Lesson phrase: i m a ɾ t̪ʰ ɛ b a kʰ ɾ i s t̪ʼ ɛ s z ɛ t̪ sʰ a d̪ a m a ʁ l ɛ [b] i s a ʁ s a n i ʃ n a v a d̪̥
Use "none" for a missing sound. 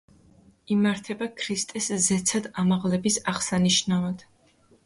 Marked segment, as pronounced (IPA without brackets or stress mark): b